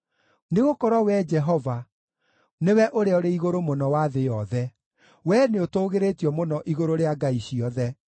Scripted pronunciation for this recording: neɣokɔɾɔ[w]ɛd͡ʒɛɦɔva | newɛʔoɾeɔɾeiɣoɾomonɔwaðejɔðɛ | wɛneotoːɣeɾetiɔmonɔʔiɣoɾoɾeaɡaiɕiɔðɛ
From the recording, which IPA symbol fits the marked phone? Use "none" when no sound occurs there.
w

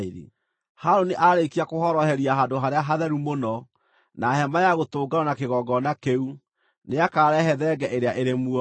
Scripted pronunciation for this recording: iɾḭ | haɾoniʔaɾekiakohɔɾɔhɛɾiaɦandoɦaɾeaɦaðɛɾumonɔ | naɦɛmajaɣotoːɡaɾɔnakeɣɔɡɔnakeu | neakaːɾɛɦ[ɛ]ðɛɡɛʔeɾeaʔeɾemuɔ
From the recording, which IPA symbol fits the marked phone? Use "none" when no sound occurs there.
ɛ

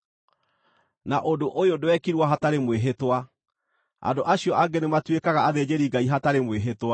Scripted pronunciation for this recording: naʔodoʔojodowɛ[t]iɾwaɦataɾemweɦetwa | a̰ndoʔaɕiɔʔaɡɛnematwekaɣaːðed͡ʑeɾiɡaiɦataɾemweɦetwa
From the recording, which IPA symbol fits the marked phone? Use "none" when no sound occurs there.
k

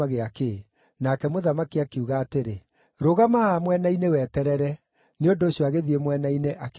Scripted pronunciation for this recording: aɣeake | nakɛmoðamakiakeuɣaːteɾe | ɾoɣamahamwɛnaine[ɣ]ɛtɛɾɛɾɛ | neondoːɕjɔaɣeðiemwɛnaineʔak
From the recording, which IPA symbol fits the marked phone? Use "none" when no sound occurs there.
w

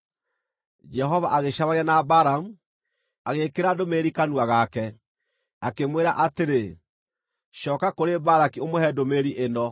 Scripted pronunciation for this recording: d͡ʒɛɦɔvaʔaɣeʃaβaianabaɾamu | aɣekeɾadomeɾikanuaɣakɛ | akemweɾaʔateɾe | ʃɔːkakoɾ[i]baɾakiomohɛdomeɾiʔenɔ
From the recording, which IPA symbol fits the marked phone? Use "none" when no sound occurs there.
e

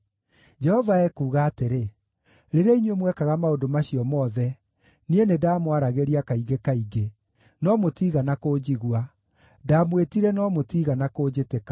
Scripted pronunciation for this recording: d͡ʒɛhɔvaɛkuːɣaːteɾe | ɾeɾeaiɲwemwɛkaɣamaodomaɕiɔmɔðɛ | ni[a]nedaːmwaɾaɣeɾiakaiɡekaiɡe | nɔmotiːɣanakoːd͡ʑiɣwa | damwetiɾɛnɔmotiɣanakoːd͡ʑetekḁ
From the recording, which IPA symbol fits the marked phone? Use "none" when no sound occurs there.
e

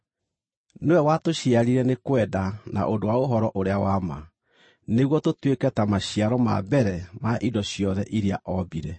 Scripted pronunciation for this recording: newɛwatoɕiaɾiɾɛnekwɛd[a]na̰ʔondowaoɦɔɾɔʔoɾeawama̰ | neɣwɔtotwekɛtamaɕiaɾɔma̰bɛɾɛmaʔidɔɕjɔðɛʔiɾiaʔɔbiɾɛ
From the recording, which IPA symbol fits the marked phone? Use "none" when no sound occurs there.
a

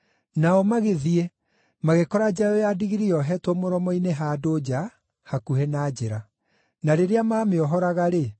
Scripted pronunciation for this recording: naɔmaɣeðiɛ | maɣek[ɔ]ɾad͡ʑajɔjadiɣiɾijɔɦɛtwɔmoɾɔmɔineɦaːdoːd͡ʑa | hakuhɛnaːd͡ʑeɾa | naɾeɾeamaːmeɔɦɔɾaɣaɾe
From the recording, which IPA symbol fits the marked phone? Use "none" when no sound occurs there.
ɔ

